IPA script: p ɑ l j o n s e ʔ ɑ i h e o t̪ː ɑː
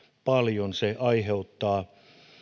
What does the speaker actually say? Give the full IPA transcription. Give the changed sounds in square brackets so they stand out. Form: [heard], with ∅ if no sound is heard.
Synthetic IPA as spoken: p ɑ l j o n s e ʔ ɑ i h e [u] t̪ː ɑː